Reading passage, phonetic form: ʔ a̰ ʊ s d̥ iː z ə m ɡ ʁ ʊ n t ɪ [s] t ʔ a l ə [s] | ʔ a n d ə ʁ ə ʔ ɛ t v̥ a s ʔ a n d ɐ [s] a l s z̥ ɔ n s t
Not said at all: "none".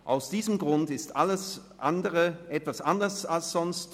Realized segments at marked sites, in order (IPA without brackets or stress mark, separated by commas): s, s, s